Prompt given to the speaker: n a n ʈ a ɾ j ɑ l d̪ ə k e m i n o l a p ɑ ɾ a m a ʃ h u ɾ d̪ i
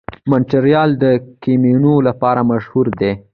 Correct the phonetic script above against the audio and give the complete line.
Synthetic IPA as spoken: m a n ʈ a ɾ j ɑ l d̪ ə k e m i n o l a p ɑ ɾ a m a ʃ h u ɾ d̪ e